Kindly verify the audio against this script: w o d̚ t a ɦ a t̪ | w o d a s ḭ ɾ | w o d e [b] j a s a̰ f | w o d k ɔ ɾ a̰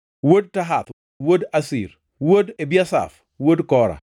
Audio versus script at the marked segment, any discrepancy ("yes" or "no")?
no